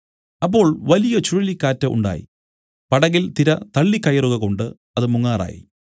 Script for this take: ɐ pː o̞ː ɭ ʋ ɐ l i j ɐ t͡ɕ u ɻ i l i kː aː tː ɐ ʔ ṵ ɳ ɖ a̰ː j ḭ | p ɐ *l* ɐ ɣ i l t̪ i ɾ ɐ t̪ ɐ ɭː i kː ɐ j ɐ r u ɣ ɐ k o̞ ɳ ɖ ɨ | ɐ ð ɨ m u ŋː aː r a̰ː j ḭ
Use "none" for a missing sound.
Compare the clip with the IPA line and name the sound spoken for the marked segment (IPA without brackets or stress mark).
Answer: ɽ